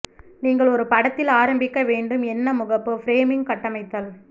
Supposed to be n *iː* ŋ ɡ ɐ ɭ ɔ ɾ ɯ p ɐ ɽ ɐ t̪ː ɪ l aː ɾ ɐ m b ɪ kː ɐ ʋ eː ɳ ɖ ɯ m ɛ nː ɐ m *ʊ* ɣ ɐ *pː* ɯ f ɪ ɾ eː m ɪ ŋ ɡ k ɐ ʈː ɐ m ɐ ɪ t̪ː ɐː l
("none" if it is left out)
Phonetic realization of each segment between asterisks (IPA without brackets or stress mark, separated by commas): iː, ʊ, pː